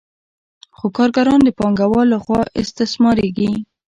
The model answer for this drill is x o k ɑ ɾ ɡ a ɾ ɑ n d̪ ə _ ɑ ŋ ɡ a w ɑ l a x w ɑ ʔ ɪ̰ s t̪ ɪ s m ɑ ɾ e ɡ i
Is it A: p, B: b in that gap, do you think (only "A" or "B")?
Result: A